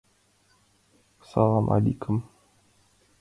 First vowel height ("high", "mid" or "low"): low